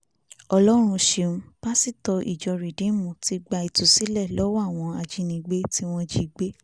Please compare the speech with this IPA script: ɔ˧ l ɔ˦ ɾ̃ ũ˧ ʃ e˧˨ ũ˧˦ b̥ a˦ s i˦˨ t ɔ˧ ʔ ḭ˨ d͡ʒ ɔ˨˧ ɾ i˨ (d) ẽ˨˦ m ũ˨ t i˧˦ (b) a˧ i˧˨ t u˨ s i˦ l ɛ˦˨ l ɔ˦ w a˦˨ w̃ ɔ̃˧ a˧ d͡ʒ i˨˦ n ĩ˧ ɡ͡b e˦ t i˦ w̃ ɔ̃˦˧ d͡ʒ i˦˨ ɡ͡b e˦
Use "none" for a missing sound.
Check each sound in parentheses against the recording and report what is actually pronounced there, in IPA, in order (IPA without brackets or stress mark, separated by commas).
d, ɡ͡b